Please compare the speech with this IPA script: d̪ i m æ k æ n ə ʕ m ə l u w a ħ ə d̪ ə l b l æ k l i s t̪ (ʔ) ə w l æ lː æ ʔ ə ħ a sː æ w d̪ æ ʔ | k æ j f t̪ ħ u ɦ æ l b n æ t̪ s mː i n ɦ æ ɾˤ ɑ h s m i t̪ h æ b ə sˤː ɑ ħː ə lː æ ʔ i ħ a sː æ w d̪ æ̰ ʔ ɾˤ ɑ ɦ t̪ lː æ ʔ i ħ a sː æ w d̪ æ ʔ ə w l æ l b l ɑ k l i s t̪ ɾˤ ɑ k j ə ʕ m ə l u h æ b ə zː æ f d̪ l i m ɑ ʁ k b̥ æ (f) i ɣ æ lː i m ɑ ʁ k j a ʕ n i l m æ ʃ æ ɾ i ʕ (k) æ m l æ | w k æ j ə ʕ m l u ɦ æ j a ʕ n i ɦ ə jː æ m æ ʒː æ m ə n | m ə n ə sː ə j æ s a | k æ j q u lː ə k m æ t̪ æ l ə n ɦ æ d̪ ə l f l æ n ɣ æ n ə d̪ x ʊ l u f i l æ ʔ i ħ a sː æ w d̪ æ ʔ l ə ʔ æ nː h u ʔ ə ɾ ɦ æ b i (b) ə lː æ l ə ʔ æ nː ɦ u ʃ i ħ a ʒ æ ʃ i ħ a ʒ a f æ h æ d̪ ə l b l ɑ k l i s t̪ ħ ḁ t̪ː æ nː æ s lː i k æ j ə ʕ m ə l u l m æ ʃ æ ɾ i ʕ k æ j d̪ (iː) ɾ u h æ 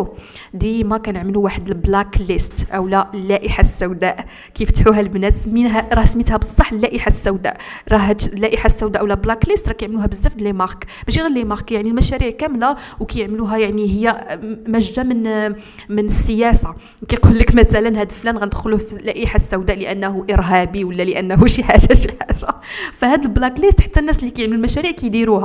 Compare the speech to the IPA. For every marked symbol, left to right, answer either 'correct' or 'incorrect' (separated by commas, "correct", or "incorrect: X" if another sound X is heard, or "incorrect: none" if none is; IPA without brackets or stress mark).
correct, incorrect: ʃ, correct, incorrect: w, incorrect: i